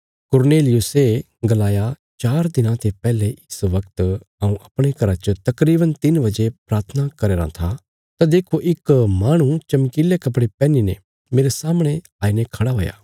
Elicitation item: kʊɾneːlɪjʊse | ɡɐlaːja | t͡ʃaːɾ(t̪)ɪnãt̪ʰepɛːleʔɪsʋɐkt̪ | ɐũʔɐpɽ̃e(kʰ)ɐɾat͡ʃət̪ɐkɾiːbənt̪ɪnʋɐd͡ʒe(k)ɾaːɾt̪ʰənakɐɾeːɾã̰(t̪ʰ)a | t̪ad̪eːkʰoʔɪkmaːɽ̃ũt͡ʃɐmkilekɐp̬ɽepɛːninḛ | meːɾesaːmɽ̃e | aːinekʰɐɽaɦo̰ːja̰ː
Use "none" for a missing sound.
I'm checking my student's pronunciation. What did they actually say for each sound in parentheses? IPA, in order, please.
d̪, k, p, t̪ʰ

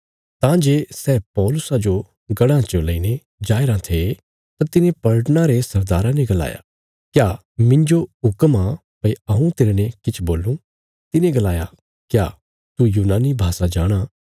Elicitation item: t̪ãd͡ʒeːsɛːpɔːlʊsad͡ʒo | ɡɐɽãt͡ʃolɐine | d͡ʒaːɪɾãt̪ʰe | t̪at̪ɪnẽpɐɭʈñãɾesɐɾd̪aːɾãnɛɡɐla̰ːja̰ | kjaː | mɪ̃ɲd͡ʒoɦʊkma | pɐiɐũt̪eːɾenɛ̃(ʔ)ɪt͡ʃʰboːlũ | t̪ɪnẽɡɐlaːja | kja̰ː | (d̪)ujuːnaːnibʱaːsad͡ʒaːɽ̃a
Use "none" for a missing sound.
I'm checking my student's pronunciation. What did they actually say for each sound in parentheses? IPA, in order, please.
k, t̪

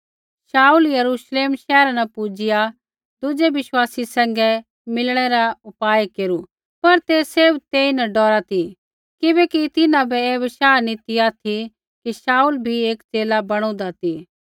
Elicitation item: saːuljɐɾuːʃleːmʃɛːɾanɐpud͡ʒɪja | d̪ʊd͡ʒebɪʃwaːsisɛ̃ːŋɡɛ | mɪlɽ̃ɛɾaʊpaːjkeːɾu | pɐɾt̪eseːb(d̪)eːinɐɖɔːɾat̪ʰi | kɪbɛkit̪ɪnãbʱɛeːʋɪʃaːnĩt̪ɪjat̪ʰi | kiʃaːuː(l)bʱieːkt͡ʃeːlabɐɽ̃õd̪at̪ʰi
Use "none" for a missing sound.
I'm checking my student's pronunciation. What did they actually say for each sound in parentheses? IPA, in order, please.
t̪, l

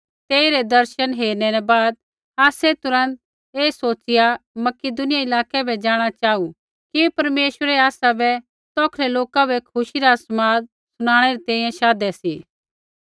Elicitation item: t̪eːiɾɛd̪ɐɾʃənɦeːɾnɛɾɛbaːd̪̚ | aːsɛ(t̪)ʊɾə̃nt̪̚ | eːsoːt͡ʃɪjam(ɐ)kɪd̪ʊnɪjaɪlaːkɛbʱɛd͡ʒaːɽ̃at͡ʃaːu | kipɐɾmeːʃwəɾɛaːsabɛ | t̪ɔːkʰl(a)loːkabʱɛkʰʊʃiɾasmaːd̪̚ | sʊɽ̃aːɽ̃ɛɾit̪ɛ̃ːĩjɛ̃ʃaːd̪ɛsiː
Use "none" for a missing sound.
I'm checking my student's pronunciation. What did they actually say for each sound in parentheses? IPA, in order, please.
t̪, ɐ, ɛ

